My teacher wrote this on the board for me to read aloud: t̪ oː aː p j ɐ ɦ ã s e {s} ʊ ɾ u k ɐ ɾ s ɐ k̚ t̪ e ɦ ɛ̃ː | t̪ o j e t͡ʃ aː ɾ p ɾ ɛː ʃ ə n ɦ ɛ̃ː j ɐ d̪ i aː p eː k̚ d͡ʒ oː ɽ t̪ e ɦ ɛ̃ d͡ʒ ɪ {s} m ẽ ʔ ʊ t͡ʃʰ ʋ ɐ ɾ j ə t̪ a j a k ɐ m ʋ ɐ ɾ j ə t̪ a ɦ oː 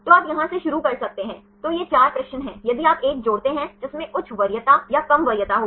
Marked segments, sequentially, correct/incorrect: incorrect: ʃ, correct

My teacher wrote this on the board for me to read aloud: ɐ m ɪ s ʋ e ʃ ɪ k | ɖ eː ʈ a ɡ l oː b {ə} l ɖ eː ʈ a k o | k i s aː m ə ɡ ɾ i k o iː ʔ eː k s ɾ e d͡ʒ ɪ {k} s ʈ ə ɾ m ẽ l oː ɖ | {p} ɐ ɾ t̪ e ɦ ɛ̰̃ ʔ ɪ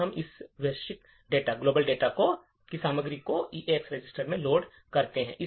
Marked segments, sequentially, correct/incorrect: correct, incorrect: none, incorrect: k

